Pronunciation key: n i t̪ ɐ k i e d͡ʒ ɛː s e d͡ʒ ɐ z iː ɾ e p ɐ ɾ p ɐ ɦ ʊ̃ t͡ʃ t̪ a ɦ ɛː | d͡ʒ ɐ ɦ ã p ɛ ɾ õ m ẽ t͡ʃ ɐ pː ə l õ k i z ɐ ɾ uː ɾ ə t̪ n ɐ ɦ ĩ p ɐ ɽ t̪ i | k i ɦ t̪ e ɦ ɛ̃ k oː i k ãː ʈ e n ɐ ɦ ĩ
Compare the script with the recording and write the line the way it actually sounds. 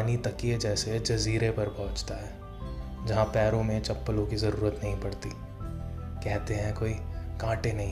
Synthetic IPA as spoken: n i t̪ ɐ k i e d͡ʒ ɛː s e d͡ʒ ɐ z iː ɾ e p ɐ ɾ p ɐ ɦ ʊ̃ t͡ʃ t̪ a ɦ ɛː | d͡ʒ ɐ ɦ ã p ɛː ɾ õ m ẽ t͡ʃ ɐ pː ə l õ k i z ɐ ɾ uː ɾ ə t̪ n ɐ ɦ ĩ p ɐ ɽ t̪ i | k ɛ ɦ t̪ e ɦ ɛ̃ k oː i k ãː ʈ e n ɐ ɦ ĩ